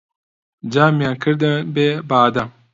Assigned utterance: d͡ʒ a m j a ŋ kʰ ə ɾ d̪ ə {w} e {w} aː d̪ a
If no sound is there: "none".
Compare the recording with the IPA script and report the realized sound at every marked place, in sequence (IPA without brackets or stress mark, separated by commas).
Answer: b, b